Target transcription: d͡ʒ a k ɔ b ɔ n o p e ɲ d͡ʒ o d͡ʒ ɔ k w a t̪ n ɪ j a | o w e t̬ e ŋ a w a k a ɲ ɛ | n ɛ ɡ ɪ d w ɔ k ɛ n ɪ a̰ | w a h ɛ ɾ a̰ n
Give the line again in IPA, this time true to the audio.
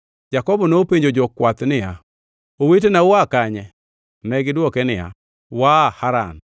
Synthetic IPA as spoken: d͡ʒ a k ɔ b ɔ n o p e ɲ d͡ʒ o d͡ʒ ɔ k w a t̪ n ɪ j a | o w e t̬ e n a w a k a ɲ ɛ | n ɛ ɡ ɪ d w ɔ k ɛ n ɪ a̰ | w a h a ɾ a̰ n